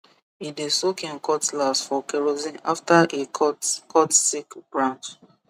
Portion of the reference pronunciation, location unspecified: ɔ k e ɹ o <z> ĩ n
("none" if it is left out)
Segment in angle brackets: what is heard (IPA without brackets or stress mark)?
z